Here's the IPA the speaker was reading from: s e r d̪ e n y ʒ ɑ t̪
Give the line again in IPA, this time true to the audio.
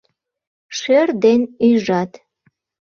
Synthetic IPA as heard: ʃ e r d̪ e n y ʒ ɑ t̪

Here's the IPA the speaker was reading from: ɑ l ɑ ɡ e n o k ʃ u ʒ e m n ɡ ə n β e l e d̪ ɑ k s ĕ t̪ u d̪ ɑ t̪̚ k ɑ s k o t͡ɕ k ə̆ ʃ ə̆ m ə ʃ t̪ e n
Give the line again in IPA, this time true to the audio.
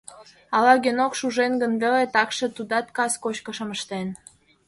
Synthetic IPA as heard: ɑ l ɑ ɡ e n o k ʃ u ʒ e n ɡ ə n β e l e t̪ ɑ k ʃ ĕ t̪ u d̪ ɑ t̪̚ k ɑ s k o t͡ɕ k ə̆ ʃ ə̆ m ə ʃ t̪ e n

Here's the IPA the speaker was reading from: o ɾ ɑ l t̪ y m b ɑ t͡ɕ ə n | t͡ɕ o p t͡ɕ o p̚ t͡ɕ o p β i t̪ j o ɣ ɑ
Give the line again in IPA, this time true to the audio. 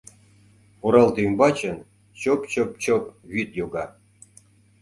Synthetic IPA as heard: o ɾ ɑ l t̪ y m b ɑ t͡ɕ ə n | t͡ɕ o p t͡ɕ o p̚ t͡ɕ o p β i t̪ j o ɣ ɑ

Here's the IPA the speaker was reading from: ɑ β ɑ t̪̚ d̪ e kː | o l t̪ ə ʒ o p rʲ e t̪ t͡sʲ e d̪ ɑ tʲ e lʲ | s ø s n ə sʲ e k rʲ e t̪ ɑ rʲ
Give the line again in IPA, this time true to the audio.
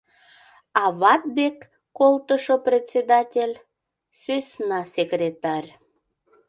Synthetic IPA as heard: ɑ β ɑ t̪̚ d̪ e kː | o l t̪ ə ʃ o p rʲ e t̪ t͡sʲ e d̪ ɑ tʲ e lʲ | s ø s n ɑ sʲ e k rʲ e t̪ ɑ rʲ

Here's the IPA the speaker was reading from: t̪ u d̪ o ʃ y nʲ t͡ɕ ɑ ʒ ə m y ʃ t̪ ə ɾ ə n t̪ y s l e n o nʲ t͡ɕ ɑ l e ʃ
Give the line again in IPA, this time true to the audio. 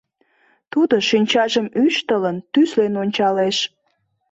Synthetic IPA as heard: t̪ u d̪ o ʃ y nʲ t͡ɕ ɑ ʒ ə m y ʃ t̪ ə l ə n t̪ y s l e n o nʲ t͡ɕ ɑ l e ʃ

